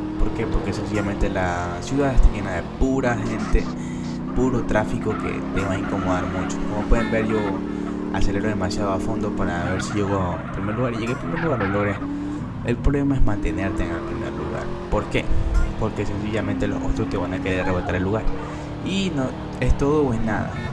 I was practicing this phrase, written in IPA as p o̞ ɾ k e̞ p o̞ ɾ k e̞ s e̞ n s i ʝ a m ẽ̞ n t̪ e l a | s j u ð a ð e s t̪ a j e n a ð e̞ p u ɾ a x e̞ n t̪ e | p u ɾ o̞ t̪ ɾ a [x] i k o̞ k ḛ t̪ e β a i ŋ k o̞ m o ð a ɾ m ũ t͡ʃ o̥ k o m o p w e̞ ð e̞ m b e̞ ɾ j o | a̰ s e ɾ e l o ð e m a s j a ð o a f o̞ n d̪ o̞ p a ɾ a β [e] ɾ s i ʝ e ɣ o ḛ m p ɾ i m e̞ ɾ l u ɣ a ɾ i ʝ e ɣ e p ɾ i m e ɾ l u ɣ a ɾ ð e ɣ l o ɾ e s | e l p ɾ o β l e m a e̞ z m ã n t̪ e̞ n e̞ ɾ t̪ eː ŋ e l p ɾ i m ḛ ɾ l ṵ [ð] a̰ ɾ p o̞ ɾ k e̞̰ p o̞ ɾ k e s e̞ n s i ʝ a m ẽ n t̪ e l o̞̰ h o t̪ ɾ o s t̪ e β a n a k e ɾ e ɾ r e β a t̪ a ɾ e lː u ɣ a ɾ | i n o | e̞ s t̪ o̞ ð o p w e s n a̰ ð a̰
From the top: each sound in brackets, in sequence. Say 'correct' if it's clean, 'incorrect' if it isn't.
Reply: incorrect: f, correct, incorrect: ɣ

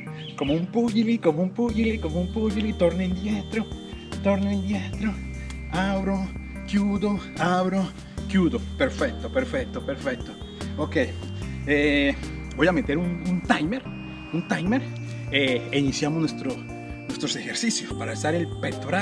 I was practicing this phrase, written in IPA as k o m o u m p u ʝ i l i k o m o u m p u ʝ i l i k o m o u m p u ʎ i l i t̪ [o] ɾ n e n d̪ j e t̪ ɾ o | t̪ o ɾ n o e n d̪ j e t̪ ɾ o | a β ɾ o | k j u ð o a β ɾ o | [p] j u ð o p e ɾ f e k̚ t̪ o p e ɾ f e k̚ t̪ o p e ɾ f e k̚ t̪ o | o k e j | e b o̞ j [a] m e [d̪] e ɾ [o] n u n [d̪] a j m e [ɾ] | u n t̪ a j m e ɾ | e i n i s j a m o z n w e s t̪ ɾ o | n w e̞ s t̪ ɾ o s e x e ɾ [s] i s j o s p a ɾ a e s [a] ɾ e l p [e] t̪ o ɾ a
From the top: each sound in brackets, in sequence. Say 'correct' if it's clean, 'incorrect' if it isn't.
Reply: correct, incorrect: k, correct, incorrect: t̪, incorrect: u, incorrect: t̪, correct, correct, correct, correct

